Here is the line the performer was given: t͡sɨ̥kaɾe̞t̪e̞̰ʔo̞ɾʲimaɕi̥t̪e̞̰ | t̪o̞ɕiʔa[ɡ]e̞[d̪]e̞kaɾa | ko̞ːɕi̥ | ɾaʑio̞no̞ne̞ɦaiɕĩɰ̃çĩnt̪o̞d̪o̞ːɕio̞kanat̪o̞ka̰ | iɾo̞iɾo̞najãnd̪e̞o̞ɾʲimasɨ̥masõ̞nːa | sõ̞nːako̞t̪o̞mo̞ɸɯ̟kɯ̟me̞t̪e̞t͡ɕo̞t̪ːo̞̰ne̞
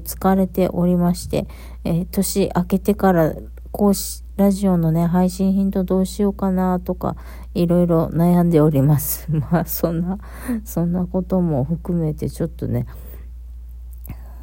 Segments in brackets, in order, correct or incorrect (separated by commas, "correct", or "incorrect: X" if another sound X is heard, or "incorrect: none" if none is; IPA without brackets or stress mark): incorrect: k, incorrect: t̪